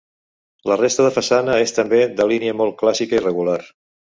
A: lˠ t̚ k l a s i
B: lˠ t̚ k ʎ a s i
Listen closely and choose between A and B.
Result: A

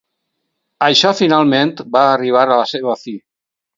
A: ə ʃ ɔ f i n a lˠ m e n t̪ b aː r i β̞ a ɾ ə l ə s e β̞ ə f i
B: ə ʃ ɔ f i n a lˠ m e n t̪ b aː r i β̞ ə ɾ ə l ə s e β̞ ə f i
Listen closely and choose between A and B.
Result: A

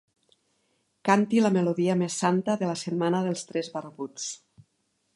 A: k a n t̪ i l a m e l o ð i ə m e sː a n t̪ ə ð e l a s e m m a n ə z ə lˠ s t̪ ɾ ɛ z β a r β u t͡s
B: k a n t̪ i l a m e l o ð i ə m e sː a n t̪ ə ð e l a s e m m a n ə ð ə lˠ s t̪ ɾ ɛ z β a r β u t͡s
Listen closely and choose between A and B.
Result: B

